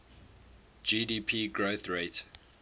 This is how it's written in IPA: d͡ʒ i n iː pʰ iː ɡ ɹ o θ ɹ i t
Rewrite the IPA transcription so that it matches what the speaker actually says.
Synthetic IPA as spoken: d͡ʒ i d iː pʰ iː ɡ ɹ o θ ɹ e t